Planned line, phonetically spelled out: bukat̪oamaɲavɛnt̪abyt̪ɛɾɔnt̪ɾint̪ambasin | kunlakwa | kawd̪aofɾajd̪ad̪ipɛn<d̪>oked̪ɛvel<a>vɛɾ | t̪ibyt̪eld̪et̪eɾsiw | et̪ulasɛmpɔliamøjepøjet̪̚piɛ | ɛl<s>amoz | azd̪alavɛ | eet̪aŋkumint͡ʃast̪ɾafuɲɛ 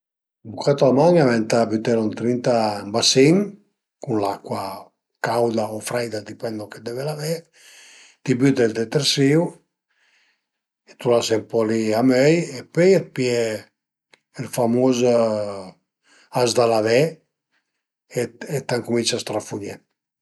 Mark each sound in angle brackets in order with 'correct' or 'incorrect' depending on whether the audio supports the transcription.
correct, correct, incorrect: f

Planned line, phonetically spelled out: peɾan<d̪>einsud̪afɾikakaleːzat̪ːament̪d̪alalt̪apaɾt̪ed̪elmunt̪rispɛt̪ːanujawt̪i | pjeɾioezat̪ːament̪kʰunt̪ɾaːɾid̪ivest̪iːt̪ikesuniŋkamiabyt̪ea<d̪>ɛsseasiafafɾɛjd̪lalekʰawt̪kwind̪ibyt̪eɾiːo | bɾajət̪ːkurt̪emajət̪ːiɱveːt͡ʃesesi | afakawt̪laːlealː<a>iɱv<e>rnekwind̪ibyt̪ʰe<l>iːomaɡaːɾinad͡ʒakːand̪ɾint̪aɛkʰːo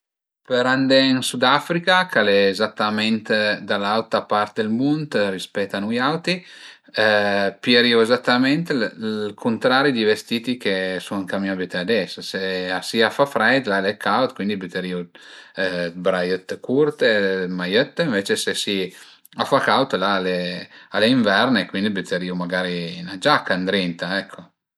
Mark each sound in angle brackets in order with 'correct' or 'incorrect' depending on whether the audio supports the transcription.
correct, correct, incorrect: e, incorrect: ɛ, incorrect: ɾ

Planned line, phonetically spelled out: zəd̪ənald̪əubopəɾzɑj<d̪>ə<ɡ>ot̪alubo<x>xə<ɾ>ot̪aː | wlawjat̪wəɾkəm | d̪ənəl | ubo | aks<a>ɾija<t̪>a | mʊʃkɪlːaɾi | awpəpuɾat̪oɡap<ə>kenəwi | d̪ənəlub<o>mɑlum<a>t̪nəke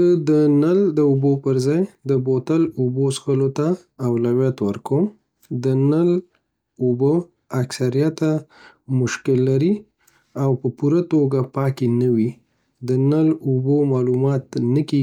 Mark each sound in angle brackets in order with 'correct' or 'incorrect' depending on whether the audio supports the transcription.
correct, incorrect: b, incorrect: s, incorrect: l, correct, correct, incorrect: ɑ, correct, incorrect: ɑ

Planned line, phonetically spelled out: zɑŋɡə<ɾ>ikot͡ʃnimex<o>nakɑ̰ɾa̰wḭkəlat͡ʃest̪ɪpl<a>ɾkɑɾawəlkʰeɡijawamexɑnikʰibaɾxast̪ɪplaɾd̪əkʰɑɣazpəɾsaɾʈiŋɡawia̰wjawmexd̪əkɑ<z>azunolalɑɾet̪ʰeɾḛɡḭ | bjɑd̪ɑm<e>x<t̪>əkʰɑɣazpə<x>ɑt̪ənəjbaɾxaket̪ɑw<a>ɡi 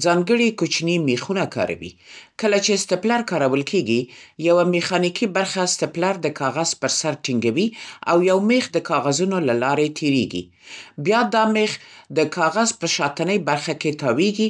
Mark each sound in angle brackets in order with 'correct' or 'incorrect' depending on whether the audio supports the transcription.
incorrect: ɽ, incorrect: u, correct, incorrect: ɣ, correct, incorrect: d̪, incorrect: ʃ, incorrect: e

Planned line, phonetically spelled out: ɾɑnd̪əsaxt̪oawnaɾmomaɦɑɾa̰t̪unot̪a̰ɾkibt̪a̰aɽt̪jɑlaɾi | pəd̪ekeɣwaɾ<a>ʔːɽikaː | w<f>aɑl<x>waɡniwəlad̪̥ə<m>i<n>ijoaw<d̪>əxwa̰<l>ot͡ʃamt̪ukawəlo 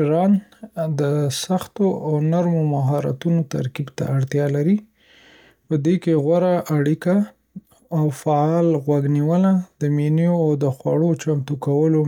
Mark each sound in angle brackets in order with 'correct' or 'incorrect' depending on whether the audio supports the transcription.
correct, correct, incorrect: ɣ, correct, correct, correct, incorrect: ɽ

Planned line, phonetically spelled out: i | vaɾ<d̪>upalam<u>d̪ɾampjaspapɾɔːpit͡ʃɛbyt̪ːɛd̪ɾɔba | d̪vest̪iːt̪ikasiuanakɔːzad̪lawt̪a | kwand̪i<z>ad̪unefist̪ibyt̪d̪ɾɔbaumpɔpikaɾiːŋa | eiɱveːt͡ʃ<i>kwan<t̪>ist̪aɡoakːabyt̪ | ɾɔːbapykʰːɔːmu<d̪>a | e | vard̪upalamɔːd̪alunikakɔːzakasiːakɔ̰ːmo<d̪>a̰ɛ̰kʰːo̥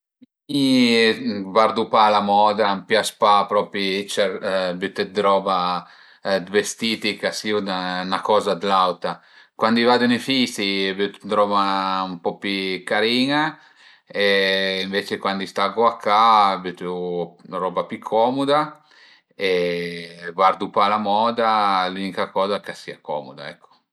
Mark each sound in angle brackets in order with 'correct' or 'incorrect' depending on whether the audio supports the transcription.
correct, incorrect: ɔ, incorrect: v, incorrect: e, incorrect: d̪, correct, correct

